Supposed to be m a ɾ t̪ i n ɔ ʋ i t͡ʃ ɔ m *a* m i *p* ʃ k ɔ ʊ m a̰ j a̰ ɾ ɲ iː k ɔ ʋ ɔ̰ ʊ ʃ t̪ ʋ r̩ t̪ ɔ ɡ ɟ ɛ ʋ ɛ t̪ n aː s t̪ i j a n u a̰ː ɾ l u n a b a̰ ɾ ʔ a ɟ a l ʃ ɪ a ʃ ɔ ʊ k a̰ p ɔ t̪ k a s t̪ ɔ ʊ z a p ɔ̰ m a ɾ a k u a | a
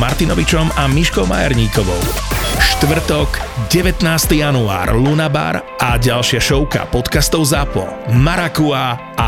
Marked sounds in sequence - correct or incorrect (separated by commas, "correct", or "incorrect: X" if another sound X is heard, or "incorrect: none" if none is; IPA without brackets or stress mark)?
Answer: correct, incorrect: none